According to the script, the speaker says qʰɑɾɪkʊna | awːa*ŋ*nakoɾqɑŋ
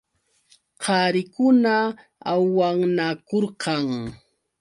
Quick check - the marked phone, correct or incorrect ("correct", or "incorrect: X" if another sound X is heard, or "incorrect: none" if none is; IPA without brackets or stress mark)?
correct